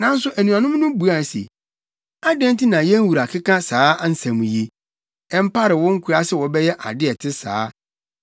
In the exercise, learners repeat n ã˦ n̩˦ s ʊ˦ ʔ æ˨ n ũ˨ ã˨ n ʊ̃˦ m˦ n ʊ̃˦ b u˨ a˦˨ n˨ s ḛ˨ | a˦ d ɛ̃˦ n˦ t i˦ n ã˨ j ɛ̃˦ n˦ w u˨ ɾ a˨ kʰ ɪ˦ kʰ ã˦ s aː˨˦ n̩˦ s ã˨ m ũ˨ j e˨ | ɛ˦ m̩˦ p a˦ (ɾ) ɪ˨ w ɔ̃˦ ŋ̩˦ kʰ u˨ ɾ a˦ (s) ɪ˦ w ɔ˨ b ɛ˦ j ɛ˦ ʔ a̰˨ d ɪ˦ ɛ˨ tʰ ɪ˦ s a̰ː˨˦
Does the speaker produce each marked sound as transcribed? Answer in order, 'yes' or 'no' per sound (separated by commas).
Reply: yes, yes